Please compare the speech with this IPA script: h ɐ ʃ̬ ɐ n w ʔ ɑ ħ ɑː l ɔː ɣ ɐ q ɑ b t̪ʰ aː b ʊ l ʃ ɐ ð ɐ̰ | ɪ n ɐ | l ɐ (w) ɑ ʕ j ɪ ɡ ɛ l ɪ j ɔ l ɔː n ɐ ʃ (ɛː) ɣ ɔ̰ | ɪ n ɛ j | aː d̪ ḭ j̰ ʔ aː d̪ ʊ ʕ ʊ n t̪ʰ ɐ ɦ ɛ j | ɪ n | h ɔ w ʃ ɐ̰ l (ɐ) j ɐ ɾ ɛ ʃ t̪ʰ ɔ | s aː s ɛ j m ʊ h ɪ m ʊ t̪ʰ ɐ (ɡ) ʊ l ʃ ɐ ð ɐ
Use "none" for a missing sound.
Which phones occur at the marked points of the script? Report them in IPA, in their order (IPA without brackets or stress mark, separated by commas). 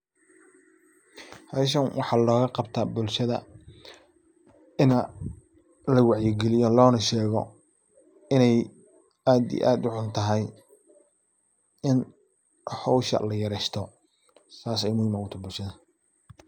w, ɛː, ɐ, b